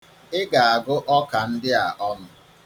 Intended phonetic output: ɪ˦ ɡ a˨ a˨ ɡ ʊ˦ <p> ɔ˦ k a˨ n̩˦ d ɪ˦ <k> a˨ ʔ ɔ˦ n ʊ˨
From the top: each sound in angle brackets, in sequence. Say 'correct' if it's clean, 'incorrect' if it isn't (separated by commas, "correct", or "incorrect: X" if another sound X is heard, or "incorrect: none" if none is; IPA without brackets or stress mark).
incorrect: ʔ, incorrect: none